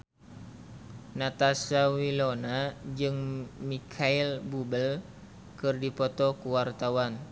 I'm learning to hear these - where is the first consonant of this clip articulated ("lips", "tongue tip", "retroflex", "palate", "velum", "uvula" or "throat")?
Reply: tongue tip